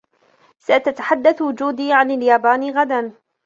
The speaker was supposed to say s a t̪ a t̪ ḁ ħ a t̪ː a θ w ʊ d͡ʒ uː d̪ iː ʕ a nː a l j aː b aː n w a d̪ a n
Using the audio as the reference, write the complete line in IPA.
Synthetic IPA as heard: s a t̪ a t̪ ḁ ħ a d̪ː a θ w ʊ d͡ʒ uː d̪ iː ʕ a n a l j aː b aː n ɣ a d̪ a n